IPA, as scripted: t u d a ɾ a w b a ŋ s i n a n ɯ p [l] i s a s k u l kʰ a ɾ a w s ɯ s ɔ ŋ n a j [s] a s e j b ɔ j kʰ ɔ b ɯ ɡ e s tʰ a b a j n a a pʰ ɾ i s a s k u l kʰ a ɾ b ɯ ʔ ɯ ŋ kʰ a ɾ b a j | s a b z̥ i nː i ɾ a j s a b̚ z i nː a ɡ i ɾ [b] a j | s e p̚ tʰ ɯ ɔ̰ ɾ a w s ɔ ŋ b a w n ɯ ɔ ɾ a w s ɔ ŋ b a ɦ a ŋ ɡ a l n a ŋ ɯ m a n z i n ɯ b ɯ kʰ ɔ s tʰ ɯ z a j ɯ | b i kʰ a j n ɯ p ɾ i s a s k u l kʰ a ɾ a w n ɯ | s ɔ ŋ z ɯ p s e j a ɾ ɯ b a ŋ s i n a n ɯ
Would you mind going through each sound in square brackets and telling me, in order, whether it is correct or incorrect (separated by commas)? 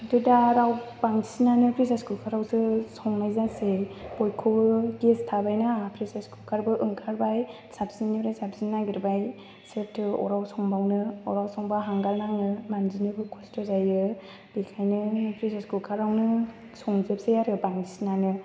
incorrect, incorrect, correct